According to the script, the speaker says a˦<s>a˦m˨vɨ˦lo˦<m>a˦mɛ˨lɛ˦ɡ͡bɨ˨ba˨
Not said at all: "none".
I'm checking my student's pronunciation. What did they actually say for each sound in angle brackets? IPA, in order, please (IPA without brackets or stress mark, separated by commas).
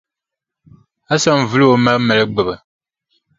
s, m